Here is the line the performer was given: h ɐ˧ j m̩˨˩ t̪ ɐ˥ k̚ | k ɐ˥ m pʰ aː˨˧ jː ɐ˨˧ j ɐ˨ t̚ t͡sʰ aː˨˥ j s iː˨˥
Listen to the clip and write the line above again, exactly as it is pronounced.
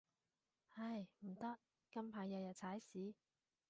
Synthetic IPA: h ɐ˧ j m̩˨˩ t̪ ɐ˥ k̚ | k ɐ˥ m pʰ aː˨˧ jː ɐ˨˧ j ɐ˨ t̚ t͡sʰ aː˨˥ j s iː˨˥